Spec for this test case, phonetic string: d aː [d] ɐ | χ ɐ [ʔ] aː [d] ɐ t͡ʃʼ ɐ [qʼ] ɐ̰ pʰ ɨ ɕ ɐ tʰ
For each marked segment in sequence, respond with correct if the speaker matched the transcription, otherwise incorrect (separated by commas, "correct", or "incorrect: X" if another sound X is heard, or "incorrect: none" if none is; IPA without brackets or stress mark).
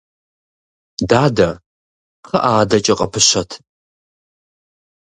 correct, correct, correct, correct